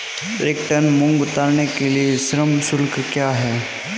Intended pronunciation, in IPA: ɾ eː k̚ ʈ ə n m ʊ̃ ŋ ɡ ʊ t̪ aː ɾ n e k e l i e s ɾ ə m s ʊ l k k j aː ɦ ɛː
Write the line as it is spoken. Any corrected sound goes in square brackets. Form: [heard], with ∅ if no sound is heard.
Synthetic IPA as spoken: ɾ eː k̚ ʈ ə n m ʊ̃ ŋ ɡ ʊ t̪ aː ɾ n e k e l i e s ɾ ə m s ʊ l k k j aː ɦ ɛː